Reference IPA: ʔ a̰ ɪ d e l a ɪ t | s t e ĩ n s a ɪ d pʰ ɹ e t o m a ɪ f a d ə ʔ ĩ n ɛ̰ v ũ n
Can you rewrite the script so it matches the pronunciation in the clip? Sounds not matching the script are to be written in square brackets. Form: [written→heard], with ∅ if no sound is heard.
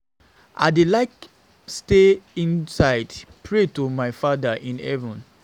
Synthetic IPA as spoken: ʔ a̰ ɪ d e l a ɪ [t→k] | s t e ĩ n s a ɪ d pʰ ɹ e t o m a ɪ f a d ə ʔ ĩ n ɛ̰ v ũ n